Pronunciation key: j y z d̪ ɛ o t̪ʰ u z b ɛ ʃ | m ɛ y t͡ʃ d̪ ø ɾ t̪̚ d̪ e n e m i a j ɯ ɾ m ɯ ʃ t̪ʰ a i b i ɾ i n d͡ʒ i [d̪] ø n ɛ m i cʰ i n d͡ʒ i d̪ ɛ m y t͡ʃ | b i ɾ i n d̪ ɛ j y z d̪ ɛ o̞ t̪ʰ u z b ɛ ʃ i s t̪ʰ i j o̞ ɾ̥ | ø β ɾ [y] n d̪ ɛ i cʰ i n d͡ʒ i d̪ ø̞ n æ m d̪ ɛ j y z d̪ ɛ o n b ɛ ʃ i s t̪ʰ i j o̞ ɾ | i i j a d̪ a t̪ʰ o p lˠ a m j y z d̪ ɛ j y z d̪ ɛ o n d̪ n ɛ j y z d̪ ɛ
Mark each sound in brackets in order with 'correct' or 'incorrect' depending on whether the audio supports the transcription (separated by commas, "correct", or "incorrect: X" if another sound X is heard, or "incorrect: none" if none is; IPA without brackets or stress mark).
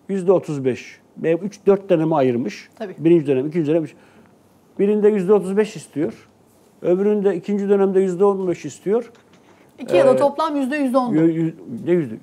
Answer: correct, correct